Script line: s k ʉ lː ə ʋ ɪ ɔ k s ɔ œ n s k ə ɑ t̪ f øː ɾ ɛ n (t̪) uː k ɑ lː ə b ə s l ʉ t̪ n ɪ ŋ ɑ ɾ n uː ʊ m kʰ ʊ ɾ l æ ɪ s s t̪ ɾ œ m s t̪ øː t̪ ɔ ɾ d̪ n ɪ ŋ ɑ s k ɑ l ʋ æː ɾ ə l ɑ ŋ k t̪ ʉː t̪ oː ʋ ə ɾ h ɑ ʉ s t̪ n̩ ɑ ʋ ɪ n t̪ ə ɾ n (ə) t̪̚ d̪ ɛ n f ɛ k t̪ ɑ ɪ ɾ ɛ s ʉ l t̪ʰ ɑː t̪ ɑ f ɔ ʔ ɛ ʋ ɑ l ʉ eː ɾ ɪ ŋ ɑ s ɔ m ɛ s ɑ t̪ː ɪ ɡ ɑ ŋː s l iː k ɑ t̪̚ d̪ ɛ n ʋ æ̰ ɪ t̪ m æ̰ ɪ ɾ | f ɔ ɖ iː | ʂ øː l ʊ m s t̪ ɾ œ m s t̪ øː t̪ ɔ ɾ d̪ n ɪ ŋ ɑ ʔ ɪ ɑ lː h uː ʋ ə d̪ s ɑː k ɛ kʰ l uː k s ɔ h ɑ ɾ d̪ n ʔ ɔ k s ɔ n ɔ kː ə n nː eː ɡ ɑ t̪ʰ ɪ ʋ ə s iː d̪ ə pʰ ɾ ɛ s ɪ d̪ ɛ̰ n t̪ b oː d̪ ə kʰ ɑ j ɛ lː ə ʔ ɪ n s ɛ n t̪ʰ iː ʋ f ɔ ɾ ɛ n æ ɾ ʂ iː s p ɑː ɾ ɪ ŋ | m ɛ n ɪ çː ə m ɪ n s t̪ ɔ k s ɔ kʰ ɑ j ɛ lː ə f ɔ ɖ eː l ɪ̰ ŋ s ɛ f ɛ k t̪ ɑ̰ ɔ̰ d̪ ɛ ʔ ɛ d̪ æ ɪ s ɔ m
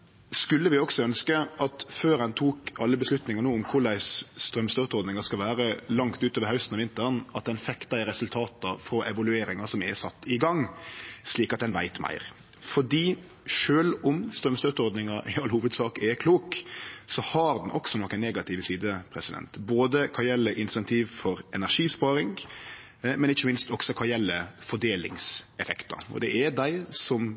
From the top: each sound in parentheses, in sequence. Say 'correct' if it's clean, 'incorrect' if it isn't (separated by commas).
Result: incorrect, incorrect